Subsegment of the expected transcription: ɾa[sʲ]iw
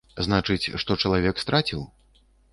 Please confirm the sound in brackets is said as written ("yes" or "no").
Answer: no